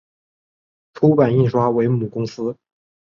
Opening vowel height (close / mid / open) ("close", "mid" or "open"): close